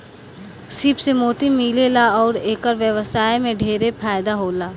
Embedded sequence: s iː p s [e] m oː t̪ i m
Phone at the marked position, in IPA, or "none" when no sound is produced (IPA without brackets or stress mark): e